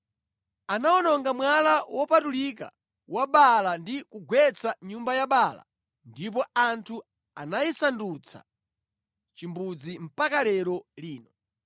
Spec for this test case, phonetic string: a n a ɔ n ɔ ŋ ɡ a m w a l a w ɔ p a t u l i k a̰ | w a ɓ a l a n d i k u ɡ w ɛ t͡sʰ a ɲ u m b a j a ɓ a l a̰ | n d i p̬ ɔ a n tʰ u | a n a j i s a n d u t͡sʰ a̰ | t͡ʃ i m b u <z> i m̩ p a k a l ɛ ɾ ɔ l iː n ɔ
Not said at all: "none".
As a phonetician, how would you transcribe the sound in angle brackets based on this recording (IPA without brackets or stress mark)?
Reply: d͡z